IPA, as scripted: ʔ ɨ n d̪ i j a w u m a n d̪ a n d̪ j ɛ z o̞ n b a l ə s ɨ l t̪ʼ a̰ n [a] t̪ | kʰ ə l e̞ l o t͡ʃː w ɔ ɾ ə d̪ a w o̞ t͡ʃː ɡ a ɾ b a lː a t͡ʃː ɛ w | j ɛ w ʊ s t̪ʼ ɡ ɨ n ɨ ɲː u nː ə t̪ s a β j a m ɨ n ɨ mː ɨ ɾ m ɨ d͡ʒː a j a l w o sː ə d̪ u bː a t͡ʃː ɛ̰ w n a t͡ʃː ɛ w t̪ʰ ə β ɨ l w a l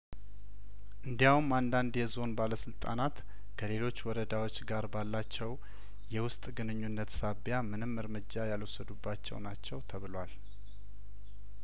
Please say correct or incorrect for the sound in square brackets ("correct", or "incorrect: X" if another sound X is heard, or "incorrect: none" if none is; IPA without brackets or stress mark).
correct